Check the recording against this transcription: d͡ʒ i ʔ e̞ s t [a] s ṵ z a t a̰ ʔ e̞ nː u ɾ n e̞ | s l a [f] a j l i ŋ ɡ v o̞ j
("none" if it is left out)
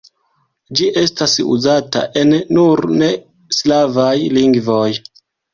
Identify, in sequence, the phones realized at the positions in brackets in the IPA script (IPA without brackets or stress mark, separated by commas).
a, v